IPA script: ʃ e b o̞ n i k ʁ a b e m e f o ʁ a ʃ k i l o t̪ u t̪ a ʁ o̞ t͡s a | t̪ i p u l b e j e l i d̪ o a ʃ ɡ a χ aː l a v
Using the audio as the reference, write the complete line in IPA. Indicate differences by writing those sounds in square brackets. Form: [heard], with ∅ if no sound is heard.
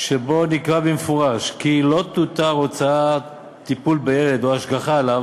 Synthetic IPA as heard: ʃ e b o̞ n i k ʁ a b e m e f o ʁ a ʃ k i l o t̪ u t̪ a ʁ o̞ t͡s a | t̪ i p u l b e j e l [e] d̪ o a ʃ ɡ a χ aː l a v